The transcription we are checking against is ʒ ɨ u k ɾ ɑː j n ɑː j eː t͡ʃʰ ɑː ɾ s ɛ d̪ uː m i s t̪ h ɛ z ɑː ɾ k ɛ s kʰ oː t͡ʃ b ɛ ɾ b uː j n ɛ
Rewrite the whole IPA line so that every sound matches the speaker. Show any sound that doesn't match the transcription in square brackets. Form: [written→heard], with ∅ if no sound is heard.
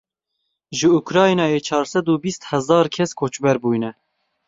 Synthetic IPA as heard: ʒ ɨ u k ɾ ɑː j n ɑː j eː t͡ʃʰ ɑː ɾ s ɛ d̪ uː [m→b] i s t̪ h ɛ z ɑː ɾ [k→kʰ] ɛ s kʰ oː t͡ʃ b ɛ ɾ b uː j n ɛ

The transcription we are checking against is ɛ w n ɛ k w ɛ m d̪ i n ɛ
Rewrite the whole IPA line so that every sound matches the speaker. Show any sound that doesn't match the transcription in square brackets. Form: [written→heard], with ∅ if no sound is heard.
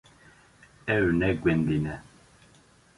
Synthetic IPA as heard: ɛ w n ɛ [k→ɡ] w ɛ [m→n] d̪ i n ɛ

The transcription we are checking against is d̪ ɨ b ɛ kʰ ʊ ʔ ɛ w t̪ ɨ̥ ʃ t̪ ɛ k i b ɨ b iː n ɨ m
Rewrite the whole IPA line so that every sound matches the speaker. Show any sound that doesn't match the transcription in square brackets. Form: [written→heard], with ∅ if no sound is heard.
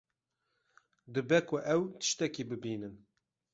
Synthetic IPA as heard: d̪ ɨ b ɛ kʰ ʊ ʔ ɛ w t̪ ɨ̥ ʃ t̪ ɛ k i b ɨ b iː n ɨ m

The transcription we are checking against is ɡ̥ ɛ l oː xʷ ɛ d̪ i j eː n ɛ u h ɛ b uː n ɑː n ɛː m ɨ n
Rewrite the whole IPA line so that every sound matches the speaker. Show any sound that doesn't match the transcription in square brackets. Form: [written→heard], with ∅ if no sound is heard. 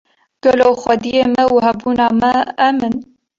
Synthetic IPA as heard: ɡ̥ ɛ l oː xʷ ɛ d̪ i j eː [n→m] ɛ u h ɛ b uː n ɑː [n→m] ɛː m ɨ n

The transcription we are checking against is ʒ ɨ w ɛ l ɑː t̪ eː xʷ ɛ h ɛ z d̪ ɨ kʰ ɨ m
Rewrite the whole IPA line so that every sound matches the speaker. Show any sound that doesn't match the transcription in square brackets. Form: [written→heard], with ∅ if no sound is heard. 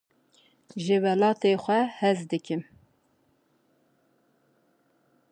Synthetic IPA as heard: ʒ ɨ w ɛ l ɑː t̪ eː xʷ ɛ h ɛ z d̪ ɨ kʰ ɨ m

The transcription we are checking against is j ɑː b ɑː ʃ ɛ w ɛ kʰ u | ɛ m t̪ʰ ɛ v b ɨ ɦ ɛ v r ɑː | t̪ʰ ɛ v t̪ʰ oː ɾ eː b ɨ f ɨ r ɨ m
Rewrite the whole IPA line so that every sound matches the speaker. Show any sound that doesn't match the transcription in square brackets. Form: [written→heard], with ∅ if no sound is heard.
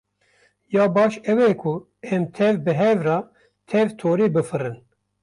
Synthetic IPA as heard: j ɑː b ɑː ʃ ɛ w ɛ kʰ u | ɛ m t̪ʰ ɛ v b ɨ ɦ ɛ v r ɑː | t̪ʰ ɛ v t̪ʰ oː ɾ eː b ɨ f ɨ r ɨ [m→n]

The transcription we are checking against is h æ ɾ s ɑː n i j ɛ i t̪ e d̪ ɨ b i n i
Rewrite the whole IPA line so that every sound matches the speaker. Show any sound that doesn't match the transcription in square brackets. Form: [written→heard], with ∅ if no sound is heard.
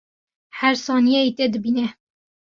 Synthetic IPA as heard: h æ ɾ s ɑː n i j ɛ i t̪ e d̪ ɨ b i n [i→ɛ]

